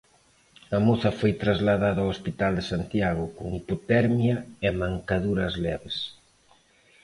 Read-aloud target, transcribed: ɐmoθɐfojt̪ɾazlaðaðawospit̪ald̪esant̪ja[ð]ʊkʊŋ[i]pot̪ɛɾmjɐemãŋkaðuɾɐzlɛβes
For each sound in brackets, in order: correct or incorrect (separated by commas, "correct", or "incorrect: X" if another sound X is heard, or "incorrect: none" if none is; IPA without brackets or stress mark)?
incorrect: ɣ, correct